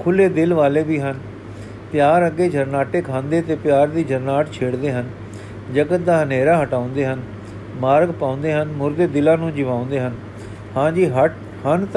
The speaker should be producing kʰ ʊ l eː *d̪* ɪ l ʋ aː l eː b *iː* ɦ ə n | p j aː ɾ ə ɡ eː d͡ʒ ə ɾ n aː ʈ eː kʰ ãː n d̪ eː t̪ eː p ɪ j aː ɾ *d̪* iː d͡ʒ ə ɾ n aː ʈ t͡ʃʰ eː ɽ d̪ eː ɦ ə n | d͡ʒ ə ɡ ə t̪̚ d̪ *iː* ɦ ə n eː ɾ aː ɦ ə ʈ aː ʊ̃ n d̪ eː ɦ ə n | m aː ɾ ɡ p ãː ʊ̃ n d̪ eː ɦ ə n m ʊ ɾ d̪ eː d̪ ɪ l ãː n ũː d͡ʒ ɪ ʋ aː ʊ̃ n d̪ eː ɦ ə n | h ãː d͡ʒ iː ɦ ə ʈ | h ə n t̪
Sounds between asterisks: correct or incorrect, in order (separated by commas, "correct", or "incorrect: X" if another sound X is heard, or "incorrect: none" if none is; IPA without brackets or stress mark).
correct, correct, correct, incorrect: aː